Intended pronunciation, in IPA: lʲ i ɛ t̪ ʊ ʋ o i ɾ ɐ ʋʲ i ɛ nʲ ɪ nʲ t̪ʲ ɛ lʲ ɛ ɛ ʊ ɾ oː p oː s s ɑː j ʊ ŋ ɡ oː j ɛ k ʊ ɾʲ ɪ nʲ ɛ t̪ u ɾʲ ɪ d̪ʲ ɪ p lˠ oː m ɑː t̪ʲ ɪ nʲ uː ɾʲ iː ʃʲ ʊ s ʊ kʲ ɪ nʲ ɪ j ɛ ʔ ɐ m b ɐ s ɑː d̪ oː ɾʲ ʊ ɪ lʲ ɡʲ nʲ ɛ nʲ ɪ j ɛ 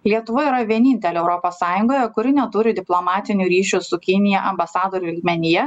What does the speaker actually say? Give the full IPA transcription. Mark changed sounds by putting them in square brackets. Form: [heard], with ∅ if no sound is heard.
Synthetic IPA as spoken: lʲ i ɛ t̪ ʊ ʋ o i ɾ ɐ ʋʲ i ɛ nʲ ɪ nʲ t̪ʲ ɛ lʲ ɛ ɛ ʊ ɾ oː p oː s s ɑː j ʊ ŋ ɡ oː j ɛ k ʊ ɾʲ ɪ nʲ ɛ t̪ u ɾʲ ɪ d̪ʲ ɪ p lˠ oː m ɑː t̪ʲ ɪ nʲ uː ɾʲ iː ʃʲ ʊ s ʊ kʲ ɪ nʲ ɪ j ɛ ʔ ɐ m b ɐ s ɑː d̪ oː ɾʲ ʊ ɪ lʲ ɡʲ [mʲ] ɛ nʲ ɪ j ɛ